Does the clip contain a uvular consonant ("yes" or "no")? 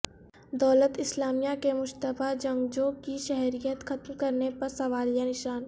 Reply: no